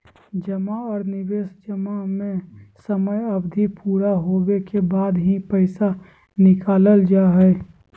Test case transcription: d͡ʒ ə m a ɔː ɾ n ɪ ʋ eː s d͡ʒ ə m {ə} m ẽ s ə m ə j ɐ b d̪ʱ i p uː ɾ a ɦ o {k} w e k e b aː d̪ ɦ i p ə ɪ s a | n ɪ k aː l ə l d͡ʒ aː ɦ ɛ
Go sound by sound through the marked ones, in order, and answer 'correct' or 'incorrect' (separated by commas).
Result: incorrect, incorrect